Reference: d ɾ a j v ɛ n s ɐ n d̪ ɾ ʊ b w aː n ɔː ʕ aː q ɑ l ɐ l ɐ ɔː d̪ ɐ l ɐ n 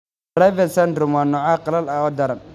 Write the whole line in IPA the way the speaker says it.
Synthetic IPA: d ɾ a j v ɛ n s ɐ n d̪ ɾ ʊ m w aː n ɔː ʕ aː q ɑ l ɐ l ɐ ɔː d̪ ɐ ɾ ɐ n